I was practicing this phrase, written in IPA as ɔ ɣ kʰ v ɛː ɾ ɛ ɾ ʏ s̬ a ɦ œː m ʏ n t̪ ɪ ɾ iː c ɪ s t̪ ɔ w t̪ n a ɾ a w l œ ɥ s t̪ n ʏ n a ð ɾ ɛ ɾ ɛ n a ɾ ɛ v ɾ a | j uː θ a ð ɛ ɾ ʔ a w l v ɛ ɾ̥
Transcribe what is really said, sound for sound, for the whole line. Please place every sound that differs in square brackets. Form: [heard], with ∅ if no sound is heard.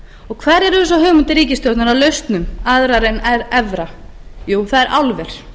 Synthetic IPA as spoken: ɔ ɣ kʰ v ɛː ɾ ɛ ɾ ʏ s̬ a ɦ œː m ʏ n t̪ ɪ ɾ iː c ɪ s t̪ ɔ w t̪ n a ɾ a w l œ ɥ s t̪ n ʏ [m] a ð ɾ [a] ɾ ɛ n [ɛ] ɾ ɛ v ɾ a | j uː θ a ð ɛ ɾ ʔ a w l v ɛ ɾ̥